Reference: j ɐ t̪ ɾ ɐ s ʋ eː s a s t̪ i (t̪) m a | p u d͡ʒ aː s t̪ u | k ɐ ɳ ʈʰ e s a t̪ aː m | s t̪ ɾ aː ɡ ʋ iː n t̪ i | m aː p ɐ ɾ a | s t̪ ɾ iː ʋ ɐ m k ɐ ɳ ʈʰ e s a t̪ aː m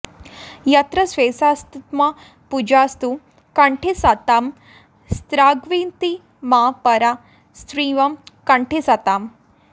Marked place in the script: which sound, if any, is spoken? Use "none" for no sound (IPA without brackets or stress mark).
t̪